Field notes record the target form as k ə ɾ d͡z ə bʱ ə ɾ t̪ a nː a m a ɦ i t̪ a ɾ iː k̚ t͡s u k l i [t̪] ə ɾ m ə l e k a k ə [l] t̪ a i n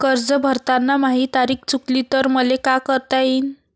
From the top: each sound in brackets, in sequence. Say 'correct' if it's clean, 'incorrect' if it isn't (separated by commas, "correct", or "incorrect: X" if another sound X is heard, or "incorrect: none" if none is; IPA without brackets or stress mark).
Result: correct, incorrect: ɾ